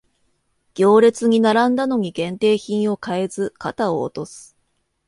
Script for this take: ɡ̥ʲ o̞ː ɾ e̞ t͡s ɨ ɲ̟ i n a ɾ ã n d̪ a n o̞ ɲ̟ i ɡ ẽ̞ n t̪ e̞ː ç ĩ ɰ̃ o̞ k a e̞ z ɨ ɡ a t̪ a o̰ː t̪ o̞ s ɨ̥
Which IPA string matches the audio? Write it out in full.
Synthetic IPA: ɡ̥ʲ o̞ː ɾ e̞ t͡s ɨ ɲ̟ i n a ɾ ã n d̪ a n o̞ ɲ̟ i ɡ ẽ̞ n t̪ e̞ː ç ĩ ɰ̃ o̞ k a e̞ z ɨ k a t̪ a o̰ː t̪ o̞ s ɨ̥